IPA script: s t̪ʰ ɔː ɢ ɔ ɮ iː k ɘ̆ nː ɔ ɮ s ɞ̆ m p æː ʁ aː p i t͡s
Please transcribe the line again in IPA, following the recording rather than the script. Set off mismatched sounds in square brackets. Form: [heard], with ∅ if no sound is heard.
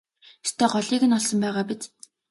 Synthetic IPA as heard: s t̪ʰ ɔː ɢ ɔ ɮ iː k ɘ̆ [n] ɔ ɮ s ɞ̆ m p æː ʁ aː p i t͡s